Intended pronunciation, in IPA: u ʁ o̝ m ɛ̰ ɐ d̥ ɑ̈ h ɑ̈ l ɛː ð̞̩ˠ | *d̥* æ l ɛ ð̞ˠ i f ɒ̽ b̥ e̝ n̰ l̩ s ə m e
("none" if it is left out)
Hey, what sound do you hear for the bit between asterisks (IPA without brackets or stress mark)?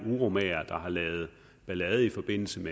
b̥